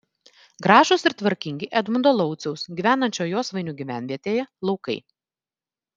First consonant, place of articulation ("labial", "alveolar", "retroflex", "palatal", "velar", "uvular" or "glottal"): velar